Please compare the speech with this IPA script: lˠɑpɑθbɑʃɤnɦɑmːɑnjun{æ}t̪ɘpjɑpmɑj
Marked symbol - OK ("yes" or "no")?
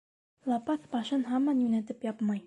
yes